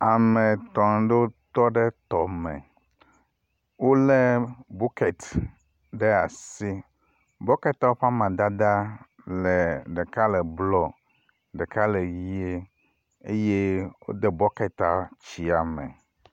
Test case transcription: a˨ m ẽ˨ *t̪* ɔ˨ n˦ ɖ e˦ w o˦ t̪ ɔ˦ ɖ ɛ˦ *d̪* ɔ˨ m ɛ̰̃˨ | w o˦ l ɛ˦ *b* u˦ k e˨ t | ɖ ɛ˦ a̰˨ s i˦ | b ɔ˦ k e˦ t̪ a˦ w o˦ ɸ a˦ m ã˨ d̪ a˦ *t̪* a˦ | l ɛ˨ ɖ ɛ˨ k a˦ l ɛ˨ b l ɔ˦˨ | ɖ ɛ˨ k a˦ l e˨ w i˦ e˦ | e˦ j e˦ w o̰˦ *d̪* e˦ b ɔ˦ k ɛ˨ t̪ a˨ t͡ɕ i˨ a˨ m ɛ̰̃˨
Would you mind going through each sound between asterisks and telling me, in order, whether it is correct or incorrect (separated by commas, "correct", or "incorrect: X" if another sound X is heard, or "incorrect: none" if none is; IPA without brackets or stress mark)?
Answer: correct, incorrect: t̪, correct, incorrect: d̪, correct